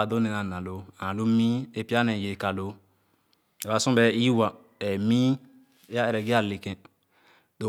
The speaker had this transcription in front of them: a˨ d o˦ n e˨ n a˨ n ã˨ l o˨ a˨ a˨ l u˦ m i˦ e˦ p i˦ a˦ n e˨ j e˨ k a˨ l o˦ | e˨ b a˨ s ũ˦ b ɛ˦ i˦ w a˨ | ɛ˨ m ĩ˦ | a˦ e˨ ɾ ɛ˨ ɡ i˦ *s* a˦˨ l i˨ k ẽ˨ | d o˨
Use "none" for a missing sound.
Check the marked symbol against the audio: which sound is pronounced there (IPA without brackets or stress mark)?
none